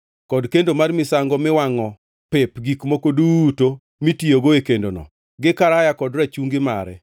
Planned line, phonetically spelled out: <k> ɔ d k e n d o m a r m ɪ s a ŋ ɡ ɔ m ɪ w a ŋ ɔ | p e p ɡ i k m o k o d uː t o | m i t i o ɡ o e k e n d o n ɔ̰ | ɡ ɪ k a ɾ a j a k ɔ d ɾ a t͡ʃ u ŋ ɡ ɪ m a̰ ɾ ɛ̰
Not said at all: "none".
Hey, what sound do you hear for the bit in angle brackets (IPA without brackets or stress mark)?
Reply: k